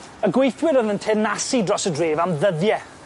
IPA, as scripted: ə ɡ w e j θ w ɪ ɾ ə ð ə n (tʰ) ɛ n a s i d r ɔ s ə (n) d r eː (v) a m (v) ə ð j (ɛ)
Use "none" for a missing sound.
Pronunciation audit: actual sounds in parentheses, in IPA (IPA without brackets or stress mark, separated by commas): tʰ, none, v, ð, ɛ